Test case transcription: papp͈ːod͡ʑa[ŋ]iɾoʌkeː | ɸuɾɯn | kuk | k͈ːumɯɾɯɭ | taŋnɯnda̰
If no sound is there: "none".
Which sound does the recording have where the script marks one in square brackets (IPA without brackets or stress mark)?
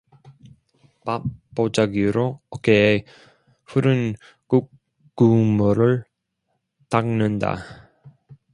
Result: ɡ